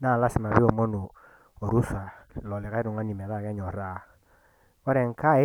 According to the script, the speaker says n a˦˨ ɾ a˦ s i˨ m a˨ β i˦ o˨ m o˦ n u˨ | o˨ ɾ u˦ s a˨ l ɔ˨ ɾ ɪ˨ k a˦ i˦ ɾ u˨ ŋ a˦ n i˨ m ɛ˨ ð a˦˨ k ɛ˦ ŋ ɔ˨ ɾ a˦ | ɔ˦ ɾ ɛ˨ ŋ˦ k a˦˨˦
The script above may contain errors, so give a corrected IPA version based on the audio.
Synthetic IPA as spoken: n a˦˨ l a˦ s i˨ m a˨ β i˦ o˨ m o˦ n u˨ | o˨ ɾ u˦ s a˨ l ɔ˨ l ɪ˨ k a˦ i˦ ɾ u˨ ŋ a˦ n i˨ m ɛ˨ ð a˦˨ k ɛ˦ ɲ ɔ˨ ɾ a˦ | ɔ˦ ɾ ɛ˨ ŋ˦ k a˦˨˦